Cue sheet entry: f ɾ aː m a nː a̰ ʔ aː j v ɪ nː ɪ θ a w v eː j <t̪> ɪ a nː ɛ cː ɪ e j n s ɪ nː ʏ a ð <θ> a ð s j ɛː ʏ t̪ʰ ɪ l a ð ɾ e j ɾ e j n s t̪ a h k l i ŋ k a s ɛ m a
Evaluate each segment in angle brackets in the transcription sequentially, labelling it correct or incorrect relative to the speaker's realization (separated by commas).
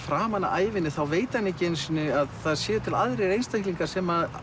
correct, correct